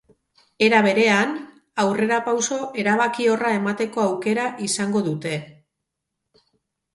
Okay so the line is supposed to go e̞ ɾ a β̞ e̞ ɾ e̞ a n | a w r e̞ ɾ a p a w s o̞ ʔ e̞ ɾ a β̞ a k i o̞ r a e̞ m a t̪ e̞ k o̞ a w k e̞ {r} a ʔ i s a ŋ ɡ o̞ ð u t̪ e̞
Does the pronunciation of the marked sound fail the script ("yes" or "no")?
yes